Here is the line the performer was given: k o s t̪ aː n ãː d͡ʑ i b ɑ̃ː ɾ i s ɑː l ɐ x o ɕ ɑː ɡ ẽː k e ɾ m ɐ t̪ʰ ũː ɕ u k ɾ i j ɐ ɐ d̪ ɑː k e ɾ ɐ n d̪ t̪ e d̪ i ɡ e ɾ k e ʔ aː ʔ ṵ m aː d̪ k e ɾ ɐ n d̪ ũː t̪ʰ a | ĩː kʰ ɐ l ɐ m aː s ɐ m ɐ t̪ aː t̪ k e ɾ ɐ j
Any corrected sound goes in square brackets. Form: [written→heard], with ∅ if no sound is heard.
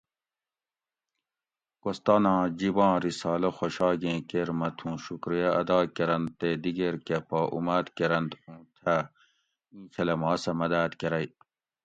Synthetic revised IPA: k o s t̪ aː n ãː d͡ʑ i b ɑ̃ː ɾ i s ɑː l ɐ x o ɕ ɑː ɡ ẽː k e ɾ m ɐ t̪ʰ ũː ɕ u k ɾ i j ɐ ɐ d̪ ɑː k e ɾ ɐ n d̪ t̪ e d̪ i ɡ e ɾ k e [ʔ→p] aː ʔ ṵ m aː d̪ k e ɾ ɐ n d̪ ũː t̪ʰ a | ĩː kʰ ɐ l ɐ m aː s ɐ m ɐ [t̪→d̪] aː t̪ k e ɾ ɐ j